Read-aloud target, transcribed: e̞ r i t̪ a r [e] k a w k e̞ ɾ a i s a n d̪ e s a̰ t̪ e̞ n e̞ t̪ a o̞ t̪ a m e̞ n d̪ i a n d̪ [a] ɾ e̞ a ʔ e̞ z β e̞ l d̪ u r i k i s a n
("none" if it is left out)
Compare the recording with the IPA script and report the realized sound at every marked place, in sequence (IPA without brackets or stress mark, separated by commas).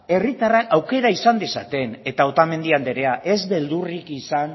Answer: a, e